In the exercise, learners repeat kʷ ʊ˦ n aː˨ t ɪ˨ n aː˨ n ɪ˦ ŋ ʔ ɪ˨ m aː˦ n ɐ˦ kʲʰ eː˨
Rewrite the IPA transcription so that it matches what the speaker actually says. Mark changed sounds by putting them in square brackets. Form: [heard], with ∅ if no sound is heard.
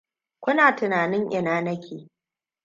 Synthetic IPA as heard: kʷ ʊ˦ n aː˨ t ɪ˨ n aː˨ n ɪ˦ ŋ ʔ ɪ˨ [n] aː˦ n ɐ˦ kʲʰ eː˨